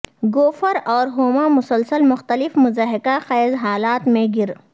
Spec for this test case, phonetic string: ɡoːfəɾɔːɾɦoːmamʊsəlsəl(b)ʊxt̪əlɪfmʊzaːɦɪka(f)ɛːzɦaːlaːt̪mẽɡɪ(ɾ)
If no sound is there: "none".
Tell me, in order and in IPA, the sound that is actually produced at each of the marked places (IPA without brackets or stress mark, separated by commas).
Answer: m, x, ɾ